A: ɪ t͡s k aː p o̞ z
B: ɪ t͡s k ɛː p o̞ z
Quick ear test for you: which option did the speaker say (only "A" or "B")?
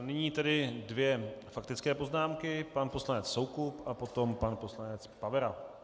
B